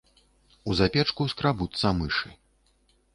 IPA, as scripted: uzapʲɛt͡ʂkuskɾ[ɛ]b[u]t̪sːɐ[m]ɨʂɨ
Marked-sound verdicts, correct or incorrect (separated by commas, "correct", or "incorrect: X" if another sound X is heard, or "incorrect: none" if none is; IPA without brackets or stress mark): incorrect: a, correct, correct